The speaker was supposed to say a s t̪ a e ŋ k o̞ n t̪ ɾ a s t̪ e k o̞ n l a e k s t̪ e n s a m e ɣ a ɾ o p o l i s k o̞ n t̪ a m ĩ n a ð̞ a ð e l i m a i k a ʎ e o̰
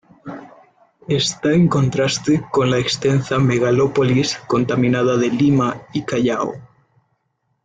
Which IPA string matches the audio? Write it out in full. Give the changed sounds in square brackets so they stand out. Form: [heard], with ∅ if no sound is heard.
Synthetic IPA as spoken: [e] s t̪ a e ŋ k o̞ n t̪ ɾ a s t̪ e k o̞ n l a e k s t̪ e n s a m e ɣ a [l] o p o l i s k o̞ n t̪ a m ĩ n a ð̞ a ð e l i m a i k a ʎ [a] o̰